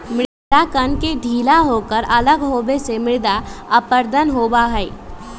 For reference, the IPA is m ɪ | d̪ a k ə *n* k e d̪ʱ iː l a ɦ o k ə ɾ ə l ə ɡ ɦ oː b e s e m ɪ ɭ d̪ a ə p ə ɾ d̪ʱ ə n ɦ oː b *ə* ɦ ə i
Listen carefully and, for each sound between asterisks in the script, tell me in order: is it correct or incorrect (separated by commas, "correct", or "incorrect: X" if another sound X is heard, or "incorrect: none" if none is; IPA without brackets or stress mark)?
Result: correct, incorrect: a